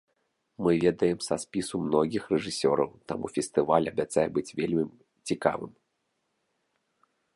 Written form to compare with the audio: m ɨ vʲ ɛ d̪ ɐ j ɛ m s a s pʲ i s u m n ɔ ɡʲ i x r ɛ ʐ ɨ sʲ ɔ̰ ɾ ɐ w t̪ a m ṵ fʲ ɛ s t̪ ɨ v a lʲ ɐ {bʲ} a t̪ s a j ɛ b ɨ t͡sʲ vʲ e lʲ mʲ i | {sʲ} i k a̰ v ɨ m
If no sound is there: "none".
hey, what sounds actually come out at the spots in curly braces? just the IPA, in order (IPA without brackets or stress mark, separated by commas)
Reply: bʲ, t͡sʲ